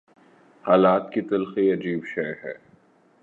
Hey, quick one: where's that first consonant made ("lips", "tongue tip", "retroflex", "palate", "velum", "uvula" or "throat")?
throat